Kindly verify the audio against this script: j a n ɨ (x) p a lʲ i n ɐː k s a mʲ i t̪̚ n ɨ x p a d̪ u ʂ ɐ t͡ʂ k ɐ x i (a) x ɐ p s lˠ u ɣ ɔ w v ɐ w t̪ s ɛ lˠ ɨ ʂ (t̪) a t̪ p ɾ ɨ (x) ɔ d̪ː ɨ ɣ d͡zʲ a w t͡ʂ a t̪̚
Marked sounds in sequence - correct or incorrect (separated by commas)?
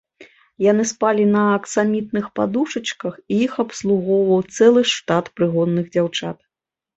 incorrect, incorrect, correct, incorrect